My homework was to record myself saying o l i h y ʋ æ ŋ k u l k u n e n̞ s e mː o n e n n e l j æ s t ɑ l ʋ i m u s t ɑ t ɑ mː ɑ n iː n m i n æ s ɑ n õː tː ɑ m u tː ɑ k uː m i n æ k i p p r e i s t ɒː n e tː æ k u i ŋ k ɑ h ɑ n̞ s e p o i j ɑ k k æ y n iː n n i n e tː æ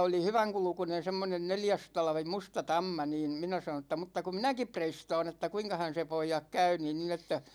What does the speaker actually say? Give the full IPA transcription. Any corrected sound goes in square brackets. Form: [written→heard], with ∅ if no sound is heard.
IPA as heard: o l i h y ʋ æ ŋ k u l k u n e n̞ s e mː o n e n n e l j æ s t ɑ l ʋ i m u s t ɑ t ɑ mː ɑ n iː n m i n æ s ɑ n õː tː ɑ m u tː ɑ k [uː→u] m i n æ k i p p r e i s t ɒː n e tː æ k u i ŋ k ɑ h ɑ n̞ s e p o i j ɑ k k æ y n iː n n i n e tː æ